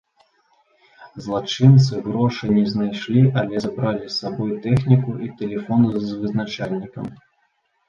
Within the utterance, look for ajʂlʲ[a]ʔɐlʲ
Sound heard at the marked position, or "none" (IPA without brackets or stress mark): i